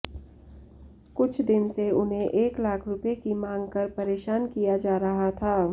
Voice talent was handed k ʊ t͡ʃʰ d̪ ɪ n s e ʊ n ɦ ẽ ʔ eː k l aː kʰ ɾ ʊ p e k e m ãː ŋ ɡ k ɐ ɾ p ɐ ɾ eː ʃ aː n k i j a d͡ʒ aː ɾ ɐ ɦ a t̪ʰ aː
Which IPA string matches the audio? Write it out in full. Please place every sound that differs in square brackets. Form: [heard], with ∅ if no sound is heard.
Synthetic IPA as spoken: k ʊ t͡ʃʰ d̪ ɪ n s e ʊ n ɦ ẽ ʔ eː k l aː kʰ ɾ ʊ p e k [i] m ãː ŋ ɡ k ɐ ɾ p ɐ ɾ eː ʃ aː n k i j a d͡ʒ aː ɾ ɐ ɦ a t̪ʰ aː